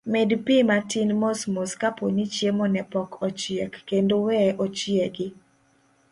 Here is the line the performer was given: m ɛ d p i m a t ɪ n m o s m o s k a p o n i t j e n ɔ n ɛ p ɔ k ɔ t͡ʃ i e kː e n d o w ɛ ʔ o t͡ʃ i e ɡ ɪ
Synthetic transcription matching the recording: m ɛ d p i m a t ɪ n m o s m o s k a p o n i t͡ʃ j e m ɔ n ɛ p ɔ k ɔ t͡ʃ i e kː e n d o w ɛ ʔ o t͡ʃ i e ɡ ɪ